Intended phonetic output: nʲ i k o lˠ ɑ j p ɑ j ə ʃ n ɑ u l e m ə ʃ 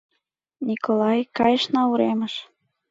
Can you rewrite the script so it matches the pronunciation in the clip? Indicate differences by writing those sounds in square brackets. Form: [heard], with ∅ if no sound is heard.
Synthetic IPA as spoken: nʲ i k o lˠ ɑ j [k] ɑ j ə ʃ n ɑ u [ɾ] e m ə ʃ